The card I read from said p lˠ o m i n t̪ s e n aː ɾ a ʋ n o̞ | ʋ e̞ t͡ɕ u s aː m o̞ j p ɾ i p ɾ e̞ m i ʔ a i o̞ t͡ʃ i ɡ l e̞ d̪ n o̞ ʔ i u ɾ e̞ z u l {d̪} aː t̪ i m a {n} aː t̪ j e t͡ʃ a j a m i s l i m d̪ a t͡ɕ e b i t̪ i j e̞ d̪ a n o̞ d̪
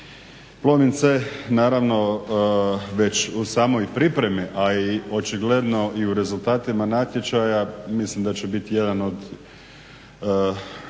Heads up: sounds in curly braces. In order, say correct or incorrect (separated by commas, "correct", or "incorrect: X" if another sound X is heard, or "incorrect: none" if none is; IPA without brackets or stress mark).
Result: incorrect: t̪, correct